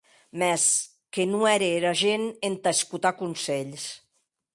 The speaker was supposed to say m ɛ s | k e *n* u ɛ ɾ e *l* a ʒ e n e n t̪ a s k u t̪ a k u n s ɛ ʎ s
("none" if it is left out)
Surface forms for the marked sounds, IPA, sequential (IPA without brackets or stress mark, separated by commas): n, ɾ